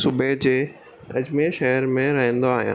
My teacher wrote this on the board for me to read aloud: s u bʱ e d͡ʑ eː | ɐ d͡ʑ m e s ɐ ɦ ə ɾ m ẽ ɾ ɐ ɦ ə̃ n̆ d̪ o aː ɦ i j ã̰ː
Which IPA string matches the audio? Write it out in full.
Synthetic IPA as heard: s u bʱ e d͡ʑ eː | ɐ d͡ʑ m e ʃ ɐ ɦ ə ɾ m ẽ ɾ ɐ ɦ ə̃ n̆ d̪ o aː ɦ i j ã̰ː